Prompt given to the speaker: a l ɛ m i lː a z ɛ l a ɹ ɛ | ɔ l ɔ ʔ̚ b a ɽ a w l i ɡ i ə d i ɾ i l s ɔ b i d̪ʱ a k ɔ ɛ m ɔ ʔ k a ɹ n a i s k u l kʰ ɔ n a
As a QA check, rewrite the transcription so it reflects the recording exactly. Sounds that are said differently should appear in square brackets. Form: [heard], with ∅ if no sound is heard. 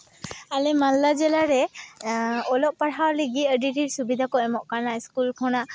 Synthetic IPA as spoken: a l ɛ m [a] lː a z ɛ l a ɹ ɛ | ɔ l ɔ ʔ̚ [p] a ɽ a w l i ɡ i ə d i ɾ i [ɹ] s [u] b i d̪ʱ a k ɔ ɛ m ɔ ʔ k a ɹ n a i s k u l kʰ ɔ n a